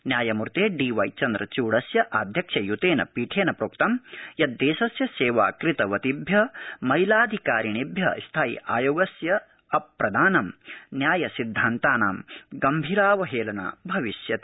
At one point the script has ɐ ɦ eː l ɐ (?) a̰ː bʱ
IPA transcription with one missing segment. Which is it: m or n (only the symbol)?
n